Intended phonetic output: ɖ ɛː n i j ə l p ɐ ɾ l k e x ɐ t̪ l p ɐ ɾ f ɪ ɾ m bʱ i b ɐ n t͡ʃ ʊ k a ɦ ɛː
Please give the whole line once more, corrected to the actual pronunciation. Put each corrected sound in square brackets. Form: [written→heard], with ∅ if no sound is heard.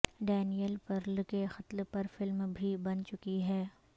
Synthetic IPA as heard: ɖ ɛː n i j ə l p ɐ ɾ l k e x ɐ t̪ l p ɐ ɾ f ɪ [ɾ→l] m bʱ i b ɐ n t͡ʃ ʊ k [a→i] ɦ ɛː